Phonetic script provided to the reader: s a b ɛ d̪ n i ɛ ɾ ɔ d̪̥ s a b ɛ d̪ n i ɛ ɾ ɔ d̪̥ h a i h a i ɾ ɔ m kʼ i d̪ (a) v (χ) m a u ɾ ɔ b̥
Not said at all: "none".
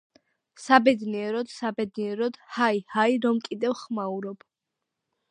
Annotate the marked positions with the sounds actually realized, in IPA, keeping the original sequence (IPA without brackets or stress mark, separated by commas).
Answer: ɛ, χ